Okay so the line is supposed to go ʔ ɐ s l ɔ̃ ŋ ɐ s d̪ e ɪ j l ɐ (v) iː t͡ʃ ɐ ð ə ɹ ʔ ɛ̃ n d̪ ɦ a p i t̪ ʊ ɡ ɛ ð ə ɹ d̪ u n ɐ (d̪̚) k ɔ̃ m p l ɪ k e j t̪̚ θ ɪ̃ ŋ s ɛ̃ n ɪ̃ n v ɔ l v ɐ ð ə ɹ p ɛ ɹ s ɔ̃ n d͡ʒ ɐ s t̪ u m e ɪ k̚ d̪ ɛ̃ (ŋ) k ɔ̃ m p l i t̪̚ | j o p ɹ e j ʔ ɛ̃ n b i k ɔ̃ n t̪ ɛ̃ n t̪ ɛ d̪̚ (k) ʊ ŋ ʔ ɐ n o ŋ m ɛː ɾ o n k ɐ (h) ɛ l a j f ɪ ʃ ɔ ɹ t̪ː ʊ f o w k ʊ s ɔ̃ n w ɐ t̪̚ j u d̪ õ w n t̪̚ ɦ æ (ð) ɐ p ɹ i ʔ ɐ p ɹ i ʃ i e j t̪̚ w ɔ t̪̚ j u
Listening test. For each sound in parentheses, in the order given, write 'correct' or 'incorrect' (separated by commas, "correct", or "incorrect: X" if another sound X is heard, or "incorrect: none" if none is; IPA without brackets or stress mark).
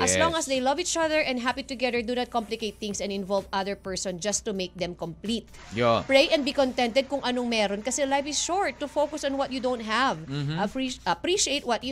correct, incorrect: t̪̚, incorrect: m, correct, incorrect: s, incorrect: v